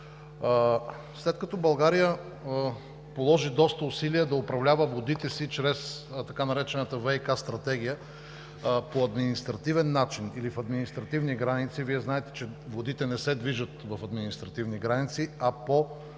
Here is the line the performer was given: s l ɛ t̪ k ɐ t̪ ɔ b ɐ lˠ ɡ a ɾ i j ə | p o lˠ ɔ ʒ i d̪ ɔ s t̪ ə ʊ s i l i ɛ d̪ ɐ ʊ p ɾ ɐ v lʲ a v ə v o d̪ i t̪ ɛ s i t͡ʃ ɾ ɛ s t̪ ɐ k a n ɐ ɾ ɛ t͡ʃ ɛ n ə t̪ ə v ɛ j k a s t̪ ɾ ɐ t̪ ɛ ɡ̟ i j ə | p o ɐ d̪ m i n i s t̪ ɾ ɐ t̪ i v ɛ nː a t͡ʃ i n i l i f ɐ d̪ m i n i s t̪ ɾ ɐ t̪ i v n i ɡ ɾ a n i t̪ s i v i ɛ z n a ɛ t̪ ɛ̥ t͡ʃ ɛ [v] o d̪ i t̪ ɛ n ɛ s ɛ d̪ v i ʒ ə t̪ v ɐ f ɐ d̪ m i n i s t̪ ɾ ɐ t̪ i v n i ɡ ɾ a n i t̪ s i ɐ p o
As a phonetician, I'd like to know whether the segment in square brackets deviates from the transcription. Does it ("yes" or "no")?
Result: no